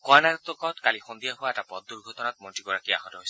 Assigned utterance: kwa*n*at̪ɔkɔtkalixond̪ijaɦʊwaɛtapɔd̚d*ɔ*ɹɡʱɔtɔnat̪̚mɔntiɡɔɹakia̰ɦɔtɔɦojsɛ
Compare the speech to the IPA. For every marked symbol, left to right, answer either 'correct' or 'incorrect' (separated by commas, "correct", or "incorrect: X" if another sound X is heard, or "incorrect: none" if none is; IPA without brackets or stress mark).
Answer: correct, incorrect: u